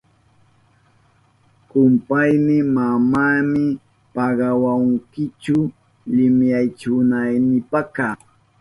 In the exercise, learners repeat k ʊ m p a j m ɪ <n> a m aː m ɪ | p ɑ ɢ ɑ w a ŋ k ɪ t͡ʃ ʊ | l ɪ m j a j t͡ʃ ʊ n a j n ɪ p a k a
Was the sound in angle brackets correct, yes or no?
no